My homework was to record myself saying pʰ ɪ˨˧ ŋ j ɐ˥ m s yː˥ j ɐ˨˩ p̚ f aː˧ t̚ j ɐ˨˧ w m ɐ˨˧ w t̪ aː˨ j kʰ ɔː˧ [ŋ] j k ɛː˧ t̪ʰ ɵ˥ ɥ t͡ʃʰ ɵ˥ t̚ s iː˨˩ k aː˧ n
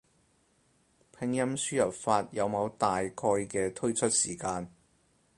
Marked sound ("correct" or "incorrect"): incorrect